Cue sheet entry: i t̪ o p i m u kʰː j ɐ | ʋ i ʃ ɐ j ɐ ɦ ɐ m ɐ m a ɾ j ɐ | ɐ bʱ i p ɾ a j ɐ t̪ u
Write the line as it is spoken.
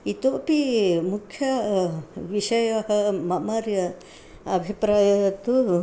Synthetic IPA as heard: i t̪ o p i m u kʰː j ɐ | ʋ i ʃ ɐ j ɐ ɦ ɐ m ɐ m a ɾ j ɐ | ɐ bʱ i p ɾ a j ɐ t̪ u